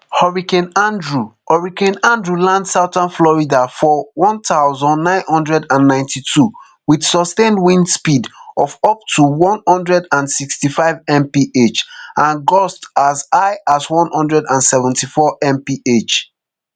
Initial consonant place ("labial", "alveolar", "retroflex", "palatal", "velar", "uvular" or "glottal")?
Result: glottal